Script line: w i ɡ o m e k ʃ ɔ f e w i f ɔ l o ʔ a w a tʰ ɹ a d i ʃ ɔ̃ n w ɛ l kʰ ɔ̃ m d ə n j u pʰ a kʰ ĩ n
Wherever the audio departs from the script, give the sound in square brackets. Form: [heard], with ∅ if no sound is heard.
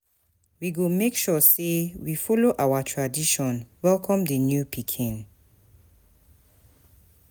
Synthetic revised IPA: w i ɡ o m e k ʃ ɔ [s] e w i f ɔ l o ʔ a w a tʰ ɹ a d i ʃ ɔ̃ n w ɛ l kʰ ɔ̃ m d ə n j u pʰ [i] kʰ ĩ n